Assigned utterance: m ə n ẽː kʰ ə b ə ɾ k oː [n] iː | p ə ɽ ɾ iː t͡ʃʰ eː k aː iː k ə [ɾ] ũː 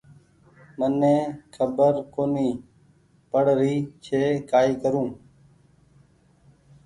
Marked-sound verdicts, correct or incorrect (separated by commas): correct, correct